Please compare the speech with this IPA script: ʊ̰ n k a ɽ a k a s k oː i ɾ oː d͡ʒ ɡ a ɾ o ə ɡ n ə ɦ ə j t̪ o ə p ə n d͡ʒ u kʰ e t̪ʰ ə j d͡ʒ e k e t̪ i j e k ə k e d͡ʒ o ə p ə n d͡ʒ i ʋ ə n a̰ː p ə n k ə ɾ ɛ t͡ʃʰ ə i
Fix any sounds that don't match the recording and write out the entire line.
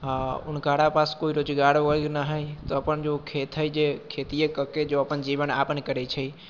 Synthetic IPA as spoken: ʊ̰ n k a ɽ a p a s k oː i ɾ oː d͡ʒ ɡ a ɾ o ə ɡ n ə ɦ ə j t̪ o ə p ə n d͡ʒ o kʰ e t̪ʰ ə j d͡ʒ e kʰ e t̪ i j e k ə k e d͡ʒ o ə p ə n d͡ʒ i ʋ ə n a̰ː p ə n k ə ɾ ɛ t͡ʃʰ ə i